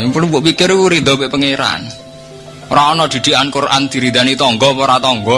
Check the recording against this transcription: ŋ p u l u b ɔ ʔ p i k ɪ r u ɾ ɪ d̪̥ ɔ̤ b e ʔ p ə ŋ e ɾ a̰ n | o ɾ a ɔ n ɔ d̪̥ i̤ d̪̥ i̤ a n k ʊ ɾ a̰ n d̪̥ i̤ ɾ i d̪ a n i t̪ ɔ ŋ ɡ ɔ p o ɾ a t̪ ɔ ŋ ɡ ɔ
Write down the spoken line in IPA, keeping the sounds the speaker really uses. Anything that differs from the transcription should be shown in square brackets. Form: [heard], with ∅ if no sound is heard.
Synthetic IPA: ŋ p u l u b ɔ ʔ p i k ɪ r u ɾ [i] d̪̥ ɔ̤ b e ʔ p ə ŋ e ɾ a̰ n | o ɾ a ɔ n ɔ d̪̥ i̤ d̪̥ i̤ a n k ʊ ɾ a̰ n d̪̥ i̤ ɾ i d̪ a n i t̪ ɔ ŋ ɡ ɔ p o ɾ a t̪ ɔ ŋ ɡ ɔ